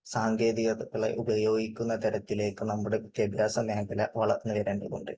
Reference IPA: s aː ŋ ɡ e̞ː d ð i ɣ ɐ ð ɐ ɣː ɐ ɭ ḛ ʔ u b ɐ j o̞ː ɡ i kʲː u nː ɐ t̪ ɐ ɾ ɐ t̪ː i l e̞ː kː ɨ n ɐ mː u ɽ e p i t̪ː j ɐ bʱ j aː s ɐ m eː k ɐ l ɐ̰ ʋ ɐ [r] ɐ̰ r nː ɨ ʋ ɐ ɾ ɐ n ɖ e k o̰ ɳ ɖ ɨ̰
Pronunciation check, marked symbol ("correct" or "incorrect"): incorrect